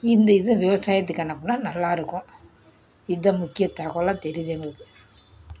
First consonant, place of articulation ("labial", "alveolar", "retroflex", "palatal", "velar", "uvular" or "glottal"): alveolar